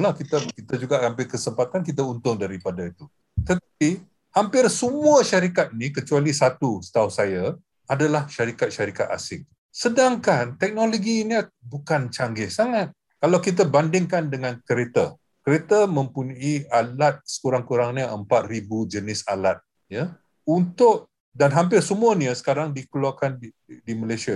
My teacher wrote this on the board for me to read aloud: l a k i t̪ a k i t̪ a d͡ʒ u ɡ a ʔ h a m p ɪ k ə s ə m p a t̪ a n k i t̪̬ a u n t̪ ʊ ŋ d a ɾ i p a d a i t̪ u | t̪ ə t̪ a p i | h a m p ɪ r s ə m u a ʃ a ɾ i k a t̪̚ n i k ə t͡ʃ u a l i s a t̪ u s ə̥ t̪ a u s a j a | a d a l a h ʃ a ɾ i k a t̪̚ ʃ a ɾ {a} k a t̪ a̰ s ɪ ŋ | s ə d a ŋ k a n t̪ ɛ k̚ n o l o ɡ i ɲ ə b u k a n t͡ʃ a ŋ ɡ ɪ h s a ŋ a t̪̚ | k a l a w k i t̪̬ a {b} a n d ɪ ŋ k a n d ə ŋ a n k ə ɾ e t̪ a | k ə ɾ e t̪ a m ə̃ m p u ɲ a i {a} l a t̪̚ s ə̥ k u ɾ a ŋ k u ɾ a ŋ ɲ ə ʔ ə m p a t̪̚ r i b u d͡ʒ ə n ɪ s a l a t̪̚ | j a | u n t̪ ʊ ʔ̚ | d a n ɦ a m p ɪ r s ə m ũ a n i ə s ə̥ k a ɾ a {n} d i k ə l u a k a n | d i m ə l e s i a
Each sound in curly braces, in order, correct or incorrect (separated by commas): incorrect, correct, correct, incorrect